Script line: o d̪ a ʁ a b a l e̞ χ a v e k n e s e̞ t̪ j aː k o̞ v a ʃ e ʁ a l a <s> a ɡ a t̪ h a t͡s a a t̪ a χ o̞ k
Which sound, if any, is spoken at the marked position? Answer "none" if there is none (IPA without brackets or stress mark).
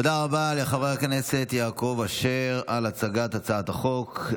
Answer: t͡s